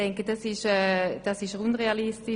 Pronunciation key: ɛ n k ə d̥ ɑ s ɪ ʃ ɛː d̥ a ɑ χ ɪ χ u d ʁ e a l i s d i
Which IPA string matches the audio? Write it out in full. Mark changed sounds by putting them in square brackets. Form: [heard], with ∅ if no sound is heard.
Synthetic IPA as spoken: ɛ [ŋ] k ə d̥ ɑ s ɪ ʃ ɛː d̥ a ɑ [s] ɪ [ʃ] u [n] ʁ e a l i s [t] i